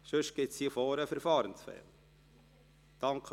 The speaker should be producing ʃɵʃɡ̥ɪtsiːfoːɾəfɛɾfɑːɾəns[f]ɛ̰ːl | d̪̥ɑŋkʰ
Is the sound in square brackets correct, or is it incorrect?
correct